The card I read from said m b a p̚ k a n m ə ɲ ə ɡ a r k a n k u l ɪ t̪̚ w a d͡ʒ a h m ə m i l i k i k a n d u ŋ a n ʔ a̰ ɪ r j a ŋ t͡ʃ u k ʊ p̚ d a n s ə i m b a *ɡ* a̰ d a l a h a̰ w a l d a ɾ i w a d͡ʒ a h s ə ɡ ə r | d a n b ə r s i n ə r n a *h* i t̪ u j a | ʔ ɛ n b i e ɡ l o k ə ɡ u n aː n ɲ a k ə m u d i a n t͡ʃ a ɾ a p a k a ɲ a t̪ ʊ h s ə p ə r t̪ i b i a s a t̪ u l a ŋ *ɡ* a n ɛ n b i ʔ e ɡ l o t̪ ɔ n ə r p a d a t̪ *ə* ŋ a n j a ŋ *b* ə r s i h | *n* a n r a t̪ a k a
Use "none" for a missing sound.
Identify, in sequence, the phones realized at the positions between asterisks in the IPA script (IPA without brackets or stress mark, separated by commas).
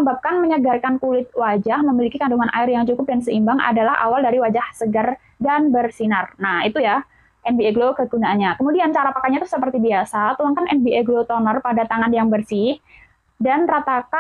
ŋ, h, k, a, b, d